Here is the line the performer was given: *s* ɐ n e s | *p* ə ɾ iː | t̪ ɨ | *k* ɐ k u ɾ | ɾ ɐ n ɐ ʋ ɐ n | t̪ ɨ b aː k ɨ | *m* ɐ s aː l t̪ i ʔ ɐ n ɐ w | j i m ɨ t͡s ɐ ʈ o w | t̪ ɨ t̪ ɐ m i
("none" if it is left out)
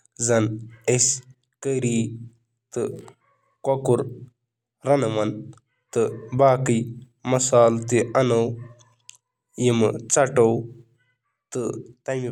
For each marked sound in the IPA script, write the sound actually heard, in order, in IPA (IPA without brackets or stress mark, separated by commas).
z, k, k, m